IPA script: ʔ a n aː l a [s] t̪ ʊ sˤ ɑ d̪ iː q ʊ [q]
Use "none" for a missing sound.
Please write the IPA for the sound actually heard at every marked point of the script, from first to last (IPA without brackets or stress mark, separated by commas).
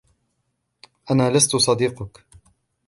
s, k